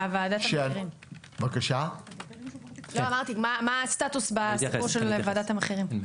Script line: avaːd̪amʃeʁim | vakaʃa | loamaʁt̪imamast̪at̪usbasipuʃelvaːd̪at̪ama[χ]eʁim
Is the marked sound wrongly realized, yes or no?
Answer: no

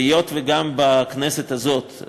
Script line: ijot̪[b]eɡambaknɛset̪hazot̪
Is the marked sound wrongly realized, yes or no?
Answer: yes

